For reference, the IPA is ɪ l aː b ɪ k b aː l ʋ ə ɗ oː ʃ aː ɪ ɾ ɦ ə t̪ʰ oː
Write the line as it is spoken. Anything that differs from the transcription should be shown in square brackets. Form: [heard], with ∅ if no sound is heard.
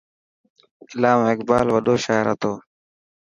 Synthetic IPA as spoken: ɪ l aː [m] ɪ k b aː l ʋ ə ɗ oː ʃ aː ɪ ɾ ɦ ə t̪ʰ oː